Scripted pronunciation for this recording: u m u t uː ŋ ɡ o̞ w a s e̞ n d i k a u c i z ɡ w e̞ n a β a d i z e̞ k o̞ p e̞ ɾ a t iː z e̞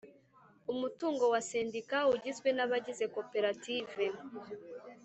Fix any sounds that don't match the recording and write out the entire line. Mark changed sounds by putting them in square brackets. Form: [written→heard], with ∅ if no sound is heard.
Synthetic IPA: u m u t uː ŋ ɡ o̞ w a s e̞ n d i k a u [c→ɟ] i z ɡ w e̞ n a β a [d→ɟ] i z e̞ k o̞ p e̞ ɾ a t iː [z→v] e̞